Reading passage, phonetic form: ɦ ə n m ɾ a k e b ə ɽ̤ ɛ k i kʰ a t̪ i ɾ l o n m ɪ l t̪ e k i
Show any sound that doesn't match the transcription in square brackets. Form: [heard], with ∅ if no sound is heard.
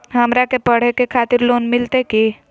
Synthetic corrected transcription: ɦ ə [∅] m ɾ a k e [p] ə ɽ̤ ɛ k [e] kʰ a t̪ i ɾ l o n m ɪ l t̪ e k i

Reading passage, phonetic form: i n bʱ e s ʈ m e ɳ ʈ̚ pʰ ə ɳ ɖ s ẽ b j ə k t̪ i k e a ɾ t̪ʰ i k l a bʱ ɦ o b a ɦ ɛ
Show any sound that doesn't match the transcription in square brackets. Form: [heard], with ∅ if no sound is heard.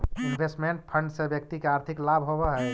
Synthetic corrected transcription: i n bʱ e s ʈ m e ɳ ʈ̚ pʰ ə ɳ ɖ s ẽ b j ə k t̪ i k e a ɾ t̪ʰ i k l a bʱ ɦ o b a ɦ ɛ

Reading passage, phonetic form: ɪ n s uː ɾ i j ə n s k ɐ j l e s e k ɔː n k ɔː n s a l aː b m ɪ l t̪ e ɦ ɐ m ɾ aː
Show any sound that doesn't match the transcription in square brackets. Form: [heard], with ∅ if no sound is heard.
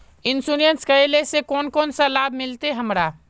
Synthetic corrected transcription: ɪ n s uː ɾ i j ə n s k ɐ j l e s e k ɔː n k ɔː n s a l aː b m ɪ l t̪ e ɦ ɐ m ɾ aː

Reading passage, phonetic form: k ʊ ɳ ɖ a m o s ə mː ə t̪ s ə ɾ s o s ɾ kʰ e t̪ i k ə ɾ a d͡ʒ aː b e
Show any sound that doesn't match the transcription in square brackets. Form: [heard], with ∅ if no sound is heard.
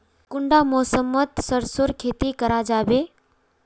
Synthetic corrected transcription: k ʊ ɳ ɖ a m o s ə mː ə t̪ s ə ɾ s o [∅] ɾ kʰ e t̪ i k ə ɾ a d͡ʒ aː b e

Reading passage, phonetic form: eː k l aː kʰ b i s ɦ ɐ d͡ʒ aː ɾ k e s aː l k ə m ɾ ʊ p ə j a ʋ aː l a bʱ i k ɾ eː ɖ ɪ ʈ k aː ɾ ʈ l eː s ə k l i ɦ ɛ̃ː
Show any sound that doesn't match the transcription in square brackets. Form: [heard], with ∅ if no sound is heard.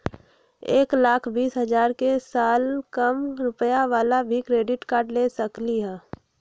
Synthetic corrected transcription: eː k l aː kʰ b [iː] s ɦ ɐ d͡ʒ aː ɾ k e s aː l k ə m ɾ ʊ p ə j a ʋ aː l a bʱ i k ɾ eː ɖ ɪ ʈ k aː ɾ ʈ l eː s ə k l i ɦ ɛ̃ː

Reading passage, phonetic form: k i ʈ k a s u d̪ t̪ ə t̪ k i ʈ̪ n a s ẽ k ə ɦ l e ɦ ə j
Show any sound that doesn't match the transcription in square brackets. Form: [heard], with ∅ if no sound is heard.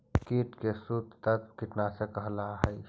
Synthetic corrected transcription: k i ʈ k [e] s u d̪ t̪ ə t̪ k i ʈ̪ n a s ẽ k ə ɦ l [a] ɦ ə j

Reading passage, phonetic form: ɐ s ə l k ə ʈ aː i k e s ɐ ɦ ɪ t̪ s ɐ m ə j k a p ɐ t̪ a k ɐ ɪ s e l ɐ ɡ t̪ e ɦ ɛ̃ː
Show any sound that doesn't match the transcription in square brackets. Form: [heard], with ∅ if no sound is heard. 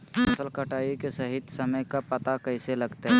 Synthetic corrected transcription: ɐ s ə l k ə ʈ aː i k e s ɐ ɦ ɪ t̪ s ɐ m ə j k a p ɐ t̪ a k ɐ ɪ s e l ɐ ɡ t̪ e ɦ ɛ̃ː

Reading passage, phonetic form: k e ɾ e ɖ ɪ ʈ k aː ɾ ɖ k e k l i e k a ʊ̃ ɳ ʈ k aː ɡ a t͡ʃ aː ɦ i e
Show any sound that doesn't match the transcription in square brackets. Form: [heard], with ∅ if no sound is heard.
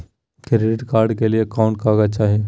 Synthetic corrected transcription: k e ɾ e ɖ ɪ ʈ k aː ɾ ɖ k e [∅] l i e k a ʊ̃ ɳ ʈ k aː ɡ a t͡ʃ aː ɦ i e

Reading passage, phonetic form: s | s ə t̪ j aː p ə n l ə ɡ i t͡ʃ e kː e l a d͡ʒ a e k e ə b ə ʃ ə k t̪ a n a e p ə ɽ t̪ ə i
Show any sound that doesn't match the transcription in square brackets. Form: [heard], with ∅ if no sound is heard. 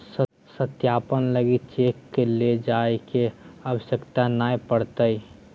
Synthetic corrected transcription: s | s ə t̪ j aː p ə n l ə ɡ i t͡ʃ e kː e l [e] d͡ʒ a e k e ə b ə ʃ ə k t̪ a n a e p ə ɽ t̪ ə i

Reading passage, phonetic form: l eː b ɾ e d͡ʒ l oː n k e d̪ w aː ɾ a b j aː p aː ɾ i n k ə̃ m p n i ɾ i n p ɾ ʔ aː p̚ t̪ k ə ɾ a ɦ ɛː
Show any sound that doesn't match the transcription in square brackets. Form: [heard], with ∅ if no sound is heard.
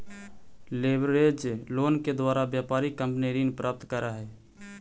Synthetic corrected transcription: l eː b ɾ e d͡ʒ l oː n k e d̪ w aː ɾ a b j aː p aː ɾ i [∅] k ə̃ m p n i ɾ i n p ɾ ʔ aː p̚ t̪ k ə ɾ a ɦ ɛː

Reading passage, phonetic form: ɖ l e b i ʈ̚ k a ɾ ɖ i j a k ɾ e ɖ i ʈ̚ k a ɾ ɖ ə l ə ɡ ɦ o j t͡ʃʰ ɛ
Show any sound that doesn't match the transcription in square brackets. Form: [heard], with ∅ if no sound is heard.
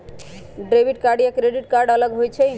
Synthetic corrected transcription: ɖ [ɾ] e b i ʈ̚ k a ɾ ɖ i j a k ɾ e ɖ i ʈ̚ k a ɾ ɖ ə l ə ɡ ɦ o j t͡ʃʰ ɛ

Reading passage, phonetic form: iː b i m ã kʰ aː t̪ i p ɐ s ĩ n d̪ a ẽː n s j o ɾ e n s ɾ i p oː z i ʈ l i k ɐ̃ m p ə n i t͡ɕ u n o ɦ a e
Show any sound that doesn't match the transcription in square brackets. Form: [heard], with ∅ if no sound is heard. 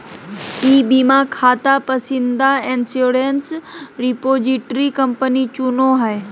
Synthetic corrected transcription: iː b i m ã kʰ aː t̪ [a] p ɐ s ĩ n d̪ a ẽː n s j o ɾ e n s ɾ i p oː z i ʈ [ɾ] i k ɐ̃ m p ə n i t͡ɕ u n o ɦ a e

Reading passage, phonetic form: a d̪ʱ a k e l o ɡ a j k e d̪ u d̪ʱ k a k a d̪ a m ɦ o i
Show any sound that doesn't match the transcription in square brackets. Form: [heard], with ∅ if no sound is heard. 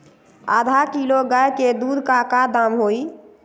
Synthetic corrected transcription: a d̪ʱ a k [i] l o ɡ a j k e d̪ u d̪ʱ k a k a d̪ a m ɦ o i

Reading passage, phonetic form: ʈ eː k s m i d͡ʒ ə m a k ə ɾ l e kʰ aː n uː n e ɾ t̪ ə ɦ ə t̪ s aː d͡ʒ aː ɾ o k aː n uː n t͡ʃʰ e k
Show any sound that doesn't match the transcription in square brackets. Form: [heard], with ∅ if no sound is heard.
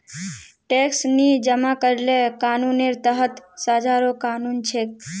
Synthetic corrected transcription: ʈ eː k s [n] i d͡ʒ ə m a k ə ɾ l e [k] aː n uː n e ɾ t̪ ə ɦ ə t̪ s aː d͡ʒ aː ɾ o k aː n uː n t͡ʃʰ e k

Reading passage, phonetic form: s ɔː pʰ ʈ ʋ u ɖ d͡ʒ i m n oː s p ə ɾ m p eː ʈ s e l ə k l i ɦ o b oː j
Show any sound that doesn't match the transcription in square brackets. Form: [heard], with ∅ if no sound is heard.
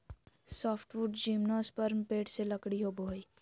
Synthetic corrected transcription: s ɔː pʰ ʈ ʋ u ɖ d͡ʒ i m n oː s p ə ɾ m p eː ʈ s e l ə k [ɽ] i ɦ o b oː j

